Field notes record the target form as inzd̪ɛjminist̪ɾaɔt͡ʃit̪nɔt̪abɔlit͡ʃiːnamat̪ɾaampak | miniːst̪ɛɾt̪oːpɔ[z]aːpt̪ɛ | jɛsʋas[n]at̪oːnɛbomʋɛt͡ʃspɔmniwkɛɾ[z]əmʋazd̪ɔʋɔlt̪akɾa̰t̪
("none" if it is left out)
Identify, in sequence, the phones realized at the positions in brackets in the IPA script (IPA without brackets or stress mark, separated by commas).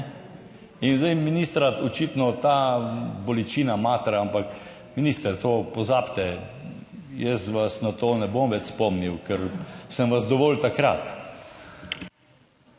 z, n, s